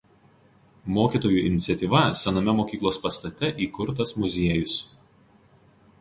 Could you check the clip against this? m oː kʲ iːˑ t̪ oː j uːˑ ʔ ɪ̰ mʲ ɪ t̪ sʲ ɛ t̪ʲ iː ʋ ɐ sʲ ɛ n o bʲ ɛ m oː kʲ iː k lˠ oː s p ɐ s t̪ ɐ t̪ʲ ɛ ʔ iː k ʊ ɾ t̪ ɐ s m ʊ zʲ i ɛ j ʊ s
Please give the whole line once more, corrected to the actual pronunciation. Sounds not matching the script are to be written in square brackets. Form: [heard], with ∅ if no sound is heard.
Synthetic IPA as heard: m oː kʲ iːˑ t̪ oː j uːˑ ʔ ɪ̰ [nʲ] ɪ t̪ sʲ ɛ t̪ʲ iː ʋ ɐ sʲ ɛ n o [mʲ] ɛ m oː kʲ iː k lˠ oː s p ɐ s t̪ ɐ t̪ʲ ɛ ʔ iː k ʊ ɾ t̪ ɐ s m ʊ zʲ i ɛ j ʊ s